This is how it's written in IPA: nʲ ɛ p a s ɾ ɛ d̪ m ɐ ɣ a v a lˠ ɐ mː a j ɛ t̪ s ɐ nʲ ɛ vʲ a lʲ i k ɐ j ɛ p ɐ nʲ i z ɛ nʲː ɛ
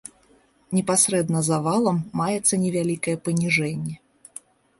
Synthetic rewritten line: nʲ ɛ p a s ɾ ɛ d̪ n ɐ z a v a lˠ ɐ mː a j ɛ t̪ sː ɐ nʲ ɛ vʲ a lʲ i k ɐ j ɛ p ɐ nʲ i ʐ ɛ nʲː ɛ